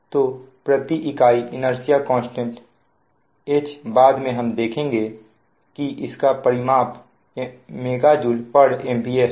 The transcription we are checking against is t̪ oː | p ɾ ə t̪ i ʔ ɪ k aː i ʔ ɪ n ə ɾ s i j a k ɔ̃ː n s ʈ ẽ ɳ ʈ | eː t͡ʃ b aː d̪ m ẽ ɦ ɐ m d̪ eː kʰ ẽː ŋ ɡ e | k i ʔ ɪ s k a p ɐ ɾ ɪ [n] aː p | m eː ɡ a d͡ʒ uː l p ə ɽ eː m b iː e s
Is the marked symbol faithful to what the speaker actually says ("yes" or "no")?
no